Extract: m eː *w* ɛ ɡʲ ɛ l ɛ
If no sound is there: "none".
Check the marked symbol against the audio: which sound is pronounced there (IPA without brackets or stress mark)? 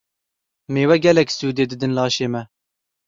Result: w